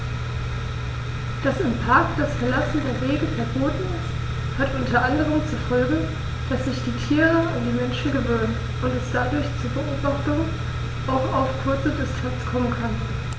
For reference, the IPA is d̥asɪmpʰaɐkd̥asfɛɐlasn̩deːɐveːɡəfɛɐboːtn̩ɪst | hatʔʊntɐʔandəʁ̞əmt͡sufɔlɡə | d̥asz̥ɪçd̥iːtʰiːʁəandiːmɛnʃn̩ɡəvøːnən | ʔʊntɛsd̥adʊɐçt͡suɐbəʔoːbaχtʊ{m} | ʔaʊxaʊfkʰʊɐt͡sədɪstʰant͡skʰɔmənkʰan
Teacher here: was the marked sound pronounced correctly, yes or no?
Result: no